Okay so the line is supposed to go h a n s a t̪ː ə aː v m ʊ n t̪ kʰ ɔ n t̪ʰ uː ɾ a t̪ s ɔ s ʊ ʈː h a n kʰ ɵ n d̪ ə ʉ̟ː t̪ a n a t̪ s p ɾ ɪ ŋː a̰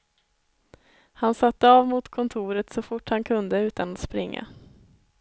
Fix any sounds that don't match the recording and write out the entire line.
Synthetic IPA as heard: h a n s a t̪ː ə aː v m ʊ t̪ kʰ ɔ n t̪ʰ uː ɾ ə t̪ s ɔ f ʊ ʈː h a n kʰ ɵ n d̪ ə ʉ̟ː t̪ a n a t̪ s p ɾ ɪ ŋː a̰